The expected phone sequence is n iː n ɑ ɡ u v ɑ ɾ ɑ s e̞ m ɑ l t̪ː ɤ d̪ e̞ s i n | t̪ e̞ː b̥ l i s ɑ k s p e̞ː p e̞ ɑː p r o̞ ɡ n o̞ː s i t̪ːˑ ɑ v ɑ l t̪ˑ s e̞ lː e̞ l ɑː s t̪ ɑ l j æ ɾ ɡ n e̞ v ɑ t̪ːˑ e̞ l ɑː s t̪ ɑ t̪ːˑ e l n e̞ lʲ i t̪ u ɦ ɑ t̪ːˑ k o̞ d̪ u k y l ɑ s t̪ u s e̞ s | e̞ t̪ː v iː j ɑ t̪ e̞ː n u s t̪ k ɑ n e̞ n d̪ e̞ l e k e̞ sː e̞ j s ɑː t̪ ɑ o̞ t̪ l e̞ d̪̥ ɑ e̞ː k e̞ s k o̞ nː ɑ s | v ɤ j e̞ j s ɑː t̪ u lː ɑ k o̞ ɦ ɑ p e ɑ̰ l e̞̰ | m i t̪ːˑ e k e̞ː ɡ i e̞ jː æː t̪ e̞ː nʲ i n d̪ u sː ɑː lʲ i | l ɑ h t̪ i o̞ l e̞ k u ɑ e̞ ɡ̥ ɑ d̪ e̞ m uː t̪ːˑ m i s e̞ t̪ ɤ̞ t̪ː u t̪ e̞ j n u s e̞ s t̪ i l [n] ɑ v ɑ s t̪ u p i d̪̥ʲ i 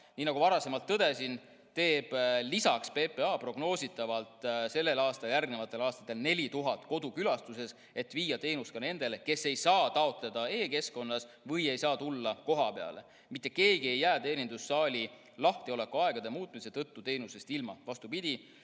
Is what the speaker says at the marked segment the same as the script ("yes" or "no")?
no